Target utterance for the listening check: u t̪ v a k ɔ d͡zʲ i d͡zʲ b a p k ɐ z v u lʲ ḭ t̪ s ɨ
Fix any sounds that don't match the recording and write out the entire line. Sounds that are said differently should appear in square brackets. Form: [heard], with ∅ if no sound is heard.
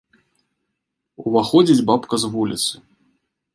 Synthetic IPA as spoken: u [∅] v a [x] ɔ d͡zʲ i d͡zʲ b a p k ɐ z v u lʲ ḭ t̪ s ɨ